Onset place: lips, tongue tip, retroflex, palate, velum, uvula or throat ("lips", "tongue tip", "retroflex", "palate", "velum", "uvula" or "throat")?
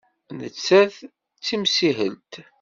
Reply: tongue tip